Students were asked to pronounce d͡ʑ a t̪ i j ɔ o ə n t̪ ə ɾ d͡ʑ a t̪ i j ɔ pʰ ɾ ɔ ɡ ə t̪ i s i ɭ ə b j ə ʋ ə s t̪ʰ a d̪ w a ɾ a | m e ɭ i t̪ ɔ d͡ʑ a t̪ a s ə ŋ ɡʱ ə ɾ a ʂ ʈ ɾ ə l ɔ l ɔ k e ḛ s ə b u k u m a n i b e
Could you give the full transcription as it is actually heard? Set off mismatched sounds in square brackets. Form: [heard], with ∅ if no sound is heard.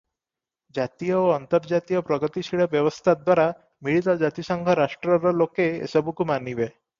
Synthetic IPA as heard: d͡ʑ a t̪ i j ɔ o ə n t̪ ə ɾ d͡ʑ a t̪ i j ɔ [p] ɾ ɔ ɡ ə t̪ i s i ɭ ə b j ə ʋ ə s t̪ʰ a d̪ w a ɾ a | m [i] ɭ i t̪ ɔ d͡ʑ a t̪ [i] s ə ŋ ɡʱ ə ɾ a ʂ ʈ ɾ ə [ɾ] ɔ l [o] k e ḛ s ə b u k u m a n i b e